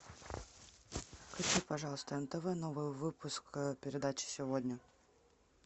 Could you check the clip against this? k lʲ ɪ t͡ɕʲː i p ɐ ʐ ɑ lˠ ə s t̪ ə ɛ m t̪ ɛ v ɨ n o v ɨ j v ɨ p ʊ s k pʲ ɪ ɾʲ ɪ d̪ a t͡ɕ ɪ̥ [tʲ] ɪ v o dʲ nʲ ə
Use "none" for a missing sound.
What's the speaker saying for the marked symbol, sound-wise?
sʲ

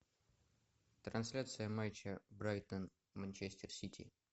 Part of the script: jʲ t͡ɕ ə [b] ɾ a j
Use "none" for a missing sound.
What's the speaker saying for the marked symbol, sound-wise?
b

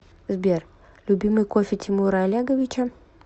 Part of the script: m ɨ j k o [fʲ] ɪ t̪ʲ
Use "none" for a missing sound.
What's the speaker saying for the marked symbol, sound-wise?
fʲ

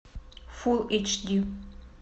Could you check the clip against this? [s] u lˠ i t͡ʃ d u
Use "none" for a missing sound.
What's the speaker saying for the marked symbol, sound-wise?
f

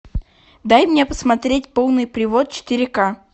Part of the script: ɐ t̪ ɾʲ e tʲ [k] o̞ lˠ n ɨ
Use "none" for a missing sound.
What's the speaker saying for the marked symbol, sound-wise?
p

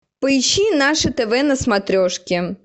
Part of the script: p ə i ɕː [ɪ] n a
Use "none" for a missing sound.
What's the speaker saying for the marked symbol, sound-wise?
i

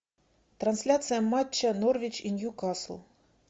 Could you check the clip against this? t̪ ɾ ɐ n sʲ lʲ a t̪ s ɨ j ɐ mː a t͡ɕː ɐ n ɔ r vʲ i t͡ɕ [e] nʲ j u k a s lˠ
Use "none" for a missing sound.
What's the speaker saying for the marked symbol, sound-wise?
i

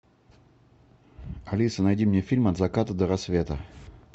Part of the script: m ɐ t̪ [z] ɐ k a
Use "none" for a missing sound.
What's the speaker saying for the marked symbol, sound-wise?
z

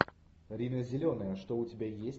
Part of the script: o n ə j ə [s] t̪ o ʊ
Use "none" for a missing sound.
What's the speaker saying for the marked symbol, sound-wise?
ʂ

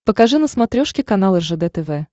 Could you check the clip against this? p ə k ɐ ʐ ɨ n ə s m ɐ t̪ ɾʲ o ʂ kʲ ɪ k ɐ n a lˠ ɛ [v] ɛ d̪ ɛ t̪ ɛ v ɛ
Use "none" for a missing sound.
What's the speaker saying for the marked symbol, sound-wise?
ʐ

